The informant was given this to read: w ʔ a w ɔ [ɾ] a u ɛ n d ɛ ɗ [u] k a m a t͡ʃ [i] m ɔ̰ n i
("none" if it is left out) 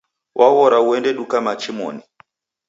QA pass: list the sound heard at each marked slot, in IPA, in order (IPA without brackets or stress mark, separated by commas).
ɾ, u, i